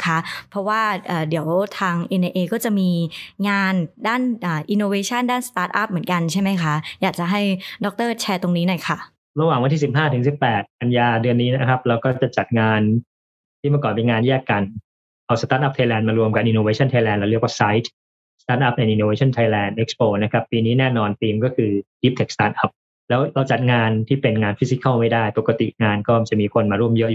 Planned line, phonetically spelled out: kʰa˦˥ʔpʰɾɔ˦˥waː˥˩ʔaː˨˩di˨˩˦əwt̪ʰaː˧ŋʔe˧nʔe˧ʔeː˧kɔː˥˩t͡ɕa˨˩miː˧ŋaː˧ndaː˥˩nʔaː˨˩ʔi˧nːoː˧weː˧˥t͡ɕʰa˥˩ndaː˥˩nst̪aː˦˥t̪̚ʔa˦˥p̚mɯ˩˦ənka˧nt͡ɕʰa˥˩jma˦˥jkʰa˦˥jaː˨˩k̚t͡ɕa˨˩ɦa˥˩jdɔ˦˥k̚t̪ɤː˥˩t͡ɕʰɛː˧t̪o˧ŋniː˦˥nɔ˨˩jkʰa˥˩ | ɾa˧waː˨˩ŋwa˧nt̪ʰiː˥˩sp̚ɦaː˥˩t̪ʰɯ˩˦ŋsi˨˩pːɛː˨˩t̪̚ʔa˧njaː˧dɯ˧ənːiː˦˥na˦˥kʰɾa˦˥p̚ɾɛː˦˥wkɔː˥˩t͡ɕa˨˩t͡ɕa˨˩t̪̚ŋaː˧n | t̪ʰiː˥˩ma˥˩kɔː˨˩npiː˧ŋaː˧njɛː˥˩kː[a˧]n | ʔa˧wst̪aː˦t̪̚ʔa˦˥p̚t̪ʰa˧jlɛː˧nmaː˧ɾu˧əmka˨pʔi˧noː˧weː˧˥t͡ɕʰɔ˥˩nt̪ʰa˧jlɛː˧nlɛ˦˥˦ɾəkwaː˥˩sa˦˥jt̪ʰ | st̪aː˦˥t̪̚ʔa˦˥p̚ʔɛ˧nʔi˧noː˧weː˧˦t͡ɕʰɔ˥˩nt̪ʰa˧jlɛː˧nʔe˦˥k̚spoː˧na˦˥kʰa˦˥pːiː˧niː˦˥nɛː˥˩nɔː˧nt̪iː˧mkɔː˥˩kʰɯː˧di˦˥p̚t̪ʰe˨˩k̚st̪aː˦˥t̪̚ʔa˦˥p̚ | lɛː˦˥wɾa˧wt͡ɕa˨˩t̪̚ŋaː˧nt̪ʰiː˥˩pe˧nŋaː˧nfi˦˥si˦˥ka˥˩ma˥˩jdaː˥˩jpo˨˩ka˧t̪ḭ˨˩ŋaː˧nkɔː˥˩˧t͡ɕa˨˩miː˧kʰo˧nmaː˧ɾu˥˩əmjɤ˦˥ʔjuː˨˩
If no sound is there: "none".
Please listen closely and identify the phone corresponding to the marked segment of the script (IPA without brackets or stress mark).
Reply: a˧